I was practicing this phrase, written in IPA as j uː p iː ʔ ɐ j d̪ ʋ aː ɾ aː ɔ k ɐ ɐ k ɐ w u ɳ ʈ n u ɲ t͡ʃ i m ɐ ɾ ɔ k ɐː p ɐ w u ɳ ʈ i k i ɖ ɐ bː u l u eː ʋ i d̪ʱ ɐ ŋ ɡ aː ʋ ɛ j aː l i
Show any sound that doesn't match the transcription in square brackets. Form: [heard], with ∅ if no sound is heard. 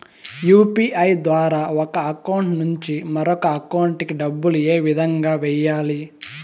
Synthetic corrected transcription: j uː p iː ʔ ɐ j d̪ ʋ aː ɾ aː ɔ k ɐ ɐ k ɐ w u ɳ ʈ n u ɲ t͡ʃ i m ɐ ɾ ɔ k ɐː [k] ɐ w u ɳ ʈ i k i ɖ ɐ bː u l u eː ʋ i d̪ʱ ɐ ŋ ɡ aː ʋ ɛ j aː l i